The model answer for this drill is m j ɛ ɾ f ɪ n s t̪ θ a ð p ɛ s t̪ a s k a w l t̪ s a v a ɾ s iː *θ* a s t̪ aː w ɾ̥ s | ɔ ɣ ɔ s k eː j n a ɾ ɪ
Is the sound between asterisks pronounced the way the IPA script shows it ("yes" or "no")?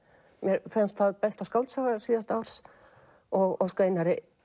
no